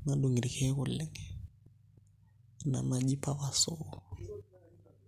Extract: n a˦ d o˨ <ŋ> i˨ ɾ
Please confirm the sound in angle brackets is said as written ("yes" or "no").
yes